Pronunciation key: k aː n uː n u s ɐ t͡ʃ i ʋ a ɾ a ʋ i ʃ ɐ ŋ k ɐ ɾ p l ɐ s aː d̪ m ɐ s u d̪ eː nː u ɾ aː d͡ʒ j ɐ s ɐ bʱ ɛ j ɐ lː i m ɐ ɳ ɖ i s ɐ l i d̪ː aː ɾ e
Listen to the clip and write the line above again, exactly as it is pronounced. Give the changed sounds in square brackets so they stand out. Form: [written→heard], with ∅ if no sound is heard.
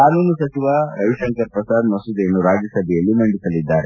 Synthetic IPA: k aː n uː n u s ɐ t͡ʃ i ʋ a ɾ [a→ɐ] ʋ i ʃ ɐ ŋ k ɐ ɾ p [l→ɾ] ɐ s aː d̪ m ɐ s u d̪ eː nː u ɾ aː d͡ʒ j ɐ s ɐ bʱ ɛ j ɐ lː i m ɐ ɳ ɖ i s ɐ l i d̪ː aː ɾ e